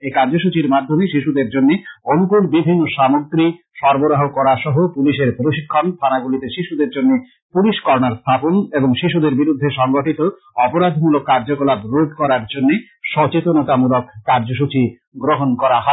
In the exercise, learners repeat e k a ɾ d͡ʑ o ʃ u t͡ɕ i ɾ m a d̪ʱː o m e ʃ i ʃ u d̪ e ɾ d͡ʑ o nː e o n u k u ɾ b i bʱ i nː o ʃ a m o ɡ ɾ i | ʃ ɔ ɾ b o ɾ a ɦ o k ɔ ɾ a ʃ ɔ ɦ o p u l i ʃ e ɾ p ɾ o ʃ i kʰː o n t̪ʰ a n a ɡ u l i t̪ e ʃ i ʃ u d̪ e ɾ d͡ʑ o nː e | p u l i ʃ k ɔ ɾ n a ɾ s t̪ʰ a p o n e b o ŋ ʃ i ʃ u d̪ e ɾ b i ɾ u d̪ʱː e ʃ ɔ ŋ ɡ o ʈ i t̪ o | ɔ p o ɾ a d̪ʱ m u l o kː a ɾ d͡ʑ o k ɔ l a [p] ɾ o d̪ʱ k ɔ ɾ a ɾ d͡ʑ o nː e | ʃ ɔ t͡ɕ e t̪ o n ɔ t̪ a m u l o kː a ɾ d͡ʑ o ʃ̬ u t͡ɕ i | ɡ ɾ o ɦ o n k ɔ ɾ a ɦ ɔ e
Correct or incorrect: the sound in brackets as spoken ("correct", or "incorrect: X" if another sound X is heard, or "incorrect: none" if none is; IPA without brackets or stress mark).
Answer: incorrect: b